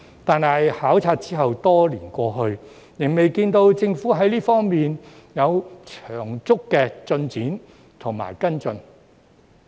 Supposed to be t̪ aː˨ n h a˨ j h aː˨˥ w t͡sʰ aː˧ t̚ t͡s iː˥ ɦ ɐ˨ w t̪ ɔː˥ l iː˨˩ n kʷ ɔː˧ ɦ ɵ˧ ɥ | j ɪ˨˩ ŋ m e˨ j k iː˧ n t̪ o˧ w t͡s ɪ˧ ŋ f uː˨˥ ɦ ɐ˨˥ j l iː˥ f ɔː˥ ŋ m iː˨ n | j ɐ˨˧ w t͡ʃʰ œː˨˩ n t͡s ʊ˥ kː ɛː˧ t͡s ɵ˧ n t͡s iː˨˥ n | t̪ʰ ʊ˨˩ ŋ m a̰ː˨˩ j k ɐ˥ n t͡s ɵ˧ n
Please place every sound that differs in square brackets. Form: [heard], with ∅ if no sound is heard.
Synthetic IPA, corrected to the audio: t̪ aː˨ n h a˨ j h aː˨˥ w t͡sʰ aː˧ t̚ t͡s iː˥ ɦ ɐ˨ w t̪ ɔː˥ l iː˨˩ n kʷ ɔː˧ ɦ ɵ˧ ɥ | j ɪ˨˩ ŋ m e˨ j k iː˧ n t̪ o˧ w t͡s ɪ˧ ŋ f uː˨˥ ɦ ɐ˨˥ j l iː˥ f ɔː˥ ŋ m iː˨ n | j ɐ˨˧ w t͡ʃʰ œː˨˩ [ŋ] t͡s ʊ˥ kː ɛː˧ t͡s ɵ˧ n t͡s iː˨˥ n | t̪ʰ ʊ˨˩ ŋ m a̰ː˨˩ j k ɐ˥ n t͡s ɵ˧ n